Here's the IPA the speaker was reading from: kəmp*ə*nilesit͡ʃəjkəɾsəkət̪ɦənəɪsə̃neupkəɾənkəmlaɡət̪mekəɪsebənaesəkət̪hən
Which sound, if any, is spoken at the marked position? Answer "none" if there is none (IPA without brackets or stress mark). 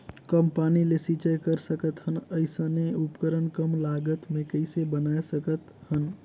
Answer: a